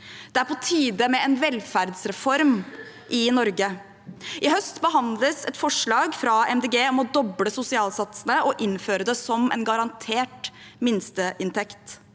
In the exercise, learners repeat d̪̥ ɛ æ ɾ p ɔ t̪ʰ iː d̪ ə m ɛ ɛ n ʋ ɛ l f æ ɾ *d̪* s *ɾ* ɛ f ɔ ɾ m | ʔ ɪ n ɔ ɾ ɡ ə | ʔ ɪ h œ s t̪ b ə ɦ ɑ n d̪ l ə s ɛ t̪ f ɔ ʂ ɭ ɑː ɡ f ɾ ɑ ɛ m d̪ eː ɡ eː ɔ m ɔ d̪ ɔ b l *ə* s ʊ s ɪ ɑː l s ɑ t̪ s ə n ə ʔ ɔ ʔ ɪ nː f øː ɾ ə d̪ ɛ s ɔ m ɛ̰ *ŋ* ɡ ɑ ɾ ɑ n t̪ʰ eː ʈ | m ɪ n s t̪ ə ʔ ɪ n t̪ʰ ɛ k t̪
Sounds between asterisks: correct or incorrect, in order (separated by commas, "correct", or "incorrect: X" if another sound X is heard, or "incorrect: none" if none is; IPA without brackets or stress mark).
correct, correct, correct, incorrect: n